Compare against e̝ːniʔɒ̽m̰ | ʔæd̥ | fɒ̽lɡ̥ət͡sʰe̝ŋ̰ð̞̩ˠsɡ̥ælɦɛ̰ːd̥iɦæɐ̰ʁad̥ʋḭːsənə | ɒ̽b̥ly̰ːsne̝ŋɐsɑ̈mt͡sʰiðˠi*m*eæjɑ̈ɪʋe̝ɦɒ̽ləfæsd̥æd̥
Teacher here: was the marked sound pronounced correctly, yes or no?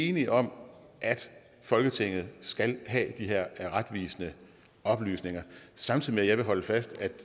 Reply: yes